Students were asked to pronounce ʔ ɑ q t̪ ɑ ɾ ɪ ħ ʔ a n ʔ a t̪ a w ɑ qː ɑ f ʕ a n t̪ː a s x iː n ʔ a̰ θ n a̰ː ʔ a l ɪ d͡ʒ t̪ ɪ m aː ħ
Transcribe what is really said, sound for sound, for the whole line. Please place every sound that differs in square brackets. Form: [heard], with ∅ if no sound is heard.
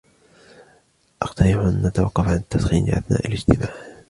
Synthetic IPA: ʔ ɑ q t̪ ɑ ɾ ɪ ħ ʔ a n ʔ a t̪ a w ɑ qː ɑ f ʕ a n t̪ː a s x iː n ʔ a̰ θ n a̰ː ʔ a l ɪ d͡ʒ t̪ ɪ m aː ħ